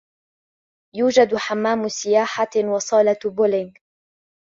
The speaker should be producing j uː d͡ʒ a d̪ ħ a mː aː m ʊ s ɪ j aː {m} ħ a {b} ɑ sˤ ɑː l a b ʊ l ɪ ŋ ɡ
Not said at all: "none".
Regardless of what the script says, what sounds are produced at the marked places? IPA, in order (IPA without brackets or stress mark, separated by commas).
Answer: none, w